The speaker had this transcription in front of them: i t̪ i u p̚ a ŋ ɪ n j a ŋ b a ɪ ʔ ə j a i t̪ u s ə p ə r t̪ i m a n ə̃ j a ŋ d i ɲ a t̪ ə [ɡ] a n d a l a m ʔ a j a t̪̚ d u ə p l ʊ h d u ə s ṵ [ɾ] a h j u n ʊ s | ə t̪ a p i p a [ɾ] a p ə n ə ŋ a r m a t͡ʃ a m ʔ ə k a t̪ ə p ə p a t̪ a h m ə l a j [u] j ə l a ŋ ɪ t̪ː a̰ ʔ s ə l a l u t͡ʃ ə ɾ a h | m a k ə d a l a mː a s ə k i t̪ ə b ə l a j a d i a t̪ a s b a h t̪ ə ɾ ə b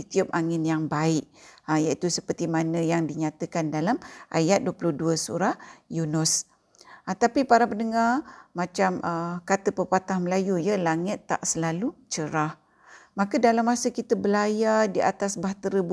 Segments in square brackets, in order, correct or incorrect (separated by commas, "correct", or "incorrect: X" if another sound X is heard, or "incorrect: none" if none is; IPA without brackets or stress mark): incorrect: k, correct, correct, correct